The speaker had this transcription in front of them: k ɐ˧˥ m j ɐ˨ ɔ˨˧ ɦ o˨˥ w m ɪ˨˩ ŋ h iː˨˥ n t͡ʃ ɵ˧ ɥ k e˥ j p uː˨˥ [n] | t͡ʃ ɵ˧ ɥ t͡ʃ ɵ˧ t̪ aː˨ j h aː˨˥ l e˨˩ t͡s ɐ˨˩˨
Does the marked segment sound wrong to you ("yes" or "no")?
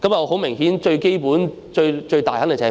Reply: no